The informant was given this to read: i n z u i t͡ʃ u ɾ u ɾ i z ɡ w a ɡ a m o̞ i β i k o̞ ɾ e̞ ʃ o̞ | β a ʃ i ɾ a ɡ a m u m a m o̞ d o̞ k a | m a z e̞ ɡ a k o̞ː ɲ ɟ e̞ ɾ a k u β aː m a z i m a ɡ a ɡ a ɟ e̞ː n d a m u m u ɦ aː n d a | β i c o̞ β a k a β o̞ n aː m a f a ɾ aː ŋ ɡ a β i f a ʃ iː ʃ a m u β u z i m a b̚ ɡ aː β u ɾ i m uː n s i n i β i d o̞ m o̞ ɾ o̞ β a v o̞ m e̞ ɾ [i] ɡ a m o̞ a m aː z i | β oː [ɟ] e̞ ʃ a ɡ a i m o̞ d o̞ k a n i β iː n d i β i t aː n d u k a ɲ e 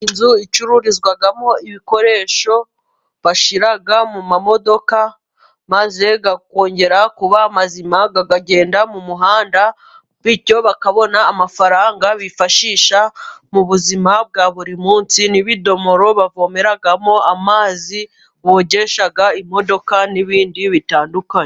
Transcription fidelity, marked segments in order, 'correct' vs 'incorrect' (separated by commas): incorrect, correct